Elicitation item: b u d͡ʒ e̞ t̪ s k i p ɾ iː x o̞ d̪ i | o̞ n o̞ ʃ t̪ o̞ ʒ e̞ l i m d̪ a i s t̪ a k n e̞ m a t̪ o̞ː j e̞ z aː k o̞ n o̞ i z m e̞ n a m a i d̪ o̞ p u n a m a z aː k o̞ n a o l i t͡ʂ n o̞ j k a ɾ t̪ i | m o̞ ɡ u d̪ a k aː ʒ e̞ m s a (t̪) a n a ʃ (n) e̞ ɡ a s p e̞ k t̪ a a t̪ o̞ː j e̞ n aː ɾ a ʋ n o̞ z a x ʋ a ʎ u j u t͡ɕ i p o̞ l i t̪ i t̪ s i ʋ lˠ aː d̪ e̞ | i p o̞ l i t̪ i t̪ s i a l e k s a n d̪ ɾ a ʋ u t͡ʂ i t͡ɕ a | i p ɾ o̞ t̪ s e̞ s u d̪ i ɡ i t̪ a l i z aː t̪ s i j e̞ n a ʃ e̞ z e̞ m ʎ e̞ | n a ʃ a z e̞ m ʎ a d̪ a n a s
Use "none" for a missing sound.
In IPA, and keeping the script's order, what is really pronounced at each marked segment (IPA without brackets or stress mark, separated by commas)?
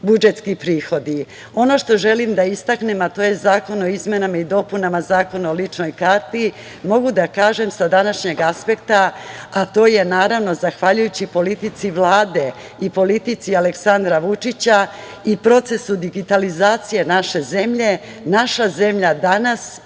d̪, ɲ